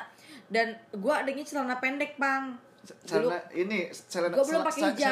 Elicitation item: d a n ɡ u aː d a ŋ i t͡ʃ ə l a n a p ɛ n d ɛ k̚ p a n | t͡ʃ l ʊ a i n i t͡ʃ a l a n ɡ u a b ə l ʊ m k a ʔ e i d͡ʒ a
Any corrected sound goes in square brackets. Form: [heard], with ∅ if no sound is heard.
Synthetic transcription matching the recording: d a n ɡ u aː d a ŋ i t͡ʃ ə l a n a p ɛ n d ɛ k̚ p a [ŋ] | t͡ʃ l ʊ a i n i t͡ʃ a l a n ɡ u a b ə l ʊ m [p] a [k] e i d͡ʒ a